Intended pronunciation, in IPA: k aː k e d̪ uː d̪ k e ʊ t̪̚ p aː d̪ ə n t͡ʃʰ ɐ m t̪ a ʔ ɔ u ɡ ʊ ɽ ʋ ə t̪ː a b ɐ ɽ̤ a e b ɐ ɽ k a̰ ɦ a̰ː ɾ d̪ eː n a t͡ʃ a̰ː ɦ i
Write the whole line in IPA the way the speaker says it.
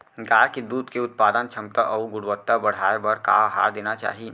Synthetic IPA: ɡ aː k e d̪ uː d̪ k e ʊ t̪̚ p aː d̪ ə n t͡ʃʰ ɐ m t̪ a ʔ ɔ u ɡ ʊ ɽ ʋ ə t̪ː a b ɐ ɽ̤ a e b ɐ ɾ k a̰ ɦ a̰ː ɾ d̪ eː n a t͡ʃ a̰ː ɦ i